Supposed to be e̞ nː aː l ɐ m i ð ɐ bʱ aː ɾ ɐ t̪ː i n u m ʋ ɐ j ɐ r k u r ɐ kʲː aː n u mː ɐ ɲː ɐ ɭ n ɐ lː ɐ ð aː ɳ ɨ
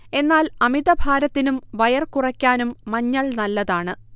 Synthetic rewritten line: e̞ nː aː l ɐ m i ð ɐ bʱ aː ɾ ɐ t̪ː i n u m ʋ ɐ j ɐ r k u r ɐ kʲː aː n u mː ɐ ɲː ɐ ɭ n ɐ lː ɐ ð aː ɳ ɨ